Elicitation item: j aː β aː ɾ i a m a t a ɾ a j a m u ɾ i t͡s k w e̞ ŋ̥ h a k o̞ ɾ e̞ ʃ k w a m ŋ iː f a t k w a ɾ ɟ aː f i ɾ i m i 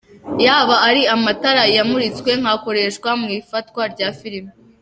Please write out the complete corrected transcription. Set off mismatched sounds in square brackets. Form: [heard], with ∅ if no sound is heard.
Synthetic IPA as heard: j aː β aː ɾ i a m a t a ɾ a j a m u ɾ i t͡s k w e̞ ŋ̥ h a k o̞ ɾ e̞ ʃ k w a m ŋ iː f a t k w a ɾ ɟ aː f i ɾ i m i